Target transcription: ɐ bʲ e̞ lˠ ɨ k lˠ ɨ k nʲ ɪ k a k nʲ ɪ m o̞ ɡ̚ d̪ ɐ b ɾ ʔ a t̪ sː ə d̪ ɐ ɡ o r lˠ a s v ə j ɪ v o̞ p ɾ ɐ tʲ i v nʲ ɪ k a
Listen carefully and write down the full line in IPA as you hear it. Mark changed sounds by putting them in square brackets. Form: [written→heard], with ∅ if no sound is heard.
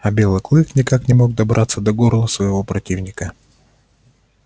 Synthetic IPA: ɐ bʲ e̞ lˠ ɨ k lˠ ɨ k nʲ ɪ k a k nʲ ɪ m o̞ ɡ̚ d̪ ɐ b ɾ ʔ a t̪ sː ə d̪ ɐ ɡ o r lˠ [a→ə] s v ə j ɪ v o̞ p ɾ ɐ tʲ i v nʲ ɪ k [a→ə]